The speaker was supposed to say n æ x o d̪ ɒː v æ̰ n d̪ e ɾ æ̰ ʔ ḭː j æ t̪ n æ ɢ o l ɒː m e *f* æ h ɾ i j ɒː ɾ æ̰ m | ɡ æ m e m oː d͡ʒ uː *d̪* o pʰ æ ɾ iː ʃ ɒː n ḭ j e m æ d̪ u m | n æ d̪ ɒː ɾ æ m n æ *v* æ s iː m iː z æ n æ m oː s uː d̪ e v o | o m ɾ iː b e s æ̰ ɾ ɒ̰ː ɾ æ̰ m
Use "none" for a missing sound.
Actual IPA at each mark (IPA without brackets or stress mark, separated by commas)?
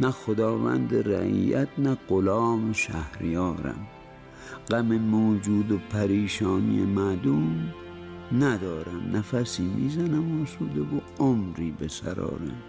ʃ, d̪, f